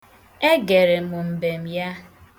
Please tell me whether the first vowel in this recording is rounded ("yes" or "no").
no